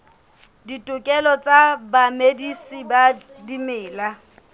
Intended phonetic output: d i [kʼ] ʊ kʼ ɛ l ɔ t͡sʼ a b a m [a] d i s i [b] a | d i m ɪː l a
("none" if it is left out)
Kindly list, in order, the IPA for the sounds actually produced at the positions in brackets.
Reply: tʼ, e, b

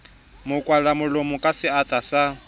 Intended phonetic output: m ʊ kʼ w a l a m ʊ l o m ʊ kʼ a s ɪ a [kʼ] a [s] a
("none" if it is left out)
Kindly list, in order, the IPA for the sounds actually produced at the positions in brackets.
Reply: tʼ, s

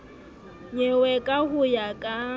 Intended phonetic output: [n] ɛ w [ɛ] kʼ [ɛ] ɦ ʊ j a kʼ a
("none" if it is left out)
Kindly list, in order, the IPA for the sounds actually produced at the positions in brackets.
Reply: ɲ, ɛ, a

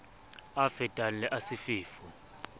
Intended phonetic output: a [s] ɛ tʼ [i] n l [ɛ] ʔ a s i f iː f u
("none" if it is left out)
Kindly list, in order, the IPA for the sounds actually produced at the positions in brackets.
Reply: f, a, ɛ

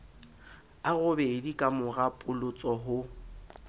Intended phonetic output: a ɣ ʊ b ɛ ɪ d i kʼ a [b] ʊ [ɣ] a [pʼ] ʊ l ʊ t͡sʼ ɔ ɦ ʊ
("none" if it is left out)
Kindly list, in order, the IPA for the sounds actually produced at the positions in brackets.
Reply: m, ɣ, pʼ

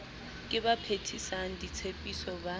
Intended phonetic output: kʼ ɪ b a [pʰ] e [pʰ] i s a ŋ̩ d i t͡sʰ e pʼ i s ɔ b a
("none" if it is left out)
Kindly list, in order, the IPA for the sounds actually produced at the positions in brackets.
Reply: pʰ, tʰ

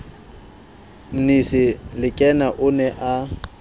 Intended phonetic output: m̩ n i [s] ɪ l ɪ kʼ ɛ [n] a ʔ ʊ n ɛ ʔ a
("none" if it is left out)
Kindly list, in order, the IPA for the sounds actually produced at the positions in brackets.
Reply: s, n

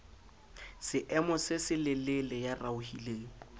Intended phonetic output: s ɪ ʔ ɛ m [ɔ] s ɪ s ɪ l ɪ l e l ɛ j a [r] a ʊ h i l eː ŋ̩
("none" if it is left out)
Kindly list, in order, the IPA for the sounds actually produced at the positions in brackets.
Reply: ɔ, r

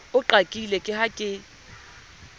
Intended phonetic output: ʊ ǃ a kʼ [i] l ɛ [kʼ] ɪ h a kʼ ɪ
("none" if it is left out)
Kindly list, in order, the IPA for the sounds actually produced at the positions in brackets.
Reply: i, kʼ

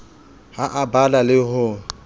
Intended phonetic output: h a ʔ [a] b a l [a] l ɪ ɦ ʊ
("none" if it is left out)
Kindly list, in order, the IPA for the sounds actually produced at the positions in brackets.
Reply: a, a

